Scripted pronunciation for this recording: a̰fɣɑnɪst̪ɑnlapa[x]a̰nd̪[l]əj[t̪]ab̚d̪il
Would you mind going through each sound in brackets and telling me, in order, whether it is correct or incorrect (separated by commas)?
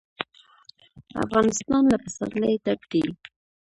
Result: incorrect, correct, correct